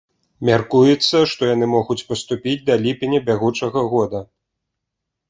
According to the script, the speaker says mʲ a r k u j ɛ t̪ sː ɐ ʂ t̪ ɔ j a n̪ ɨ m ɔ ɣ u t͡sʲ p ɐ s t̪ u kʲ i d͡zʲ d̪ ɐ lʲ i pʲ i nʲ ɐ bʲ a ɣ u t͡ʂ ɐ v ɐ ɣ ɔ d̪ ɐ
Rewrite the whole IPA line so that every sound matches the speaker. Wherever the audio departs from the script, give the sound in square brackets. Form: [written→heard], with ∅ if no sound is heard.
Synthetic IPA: mʲ a r k u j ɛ t̪ sː ɐ ʂ t̪ ɔ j a n̪ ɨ m ɔ ɣ u t͡sʲ p ɐ s t̪ u [kʲ→pʲ] i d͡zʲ d̪ ɐ lʲ i pʲ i nʲ ɐ bʲ a ɣ u t͡ʂ ɐ [v→ɣ] ɐ ɣ ɔ d̪ ɐ